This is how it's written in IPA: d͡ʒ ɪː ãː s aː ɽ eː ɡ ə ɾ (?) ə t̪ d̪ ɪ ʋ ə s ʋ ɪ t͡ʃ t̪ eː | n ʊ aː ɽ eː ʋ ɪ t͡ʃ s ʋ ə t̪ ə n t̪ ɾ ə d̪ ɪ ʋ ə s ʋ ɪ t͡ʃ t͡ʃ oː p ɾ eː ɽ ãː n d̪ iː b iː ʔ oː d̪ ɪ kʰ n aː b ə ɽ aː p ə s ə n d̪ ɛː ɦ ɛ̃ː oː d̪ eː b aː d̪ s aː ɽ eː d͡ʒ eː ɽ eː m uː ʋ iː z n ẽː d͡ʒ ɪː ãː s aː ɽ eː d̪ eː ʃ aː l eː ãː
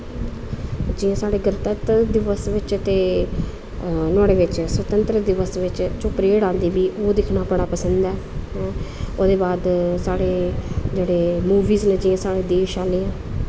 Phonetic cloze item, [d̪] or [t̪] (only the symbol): t̪